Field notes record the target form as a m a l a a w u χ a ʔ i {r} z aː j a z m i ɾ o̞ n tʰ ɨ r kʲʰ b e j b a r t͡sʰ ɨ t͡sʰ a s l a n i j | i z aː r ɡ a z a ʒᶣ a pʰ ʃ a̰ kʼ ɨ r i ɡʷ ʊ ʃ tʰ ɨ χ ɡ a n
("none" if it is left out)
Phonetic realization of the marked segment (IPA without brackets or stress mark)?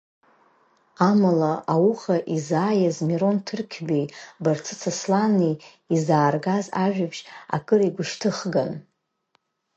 none